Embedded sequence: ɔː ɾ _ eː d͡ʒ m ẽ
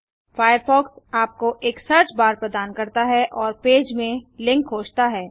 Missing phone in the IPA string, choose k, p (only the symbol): p